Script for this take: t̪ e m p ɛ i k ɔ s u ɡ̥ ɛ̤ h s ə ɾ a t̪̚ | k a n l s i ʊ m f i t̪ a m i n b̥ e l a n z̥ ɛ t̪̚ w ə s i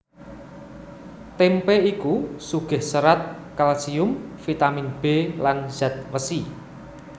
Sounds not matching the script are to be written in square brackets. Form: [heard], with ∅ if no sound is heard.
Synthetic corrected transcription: t̪ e m p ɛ i k [u] s u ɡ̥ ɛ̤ h s ə ɾ a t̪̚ | k a [∅] l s i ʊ m f i t̪ a m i n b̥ e l a n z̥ [a] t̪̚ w ə s i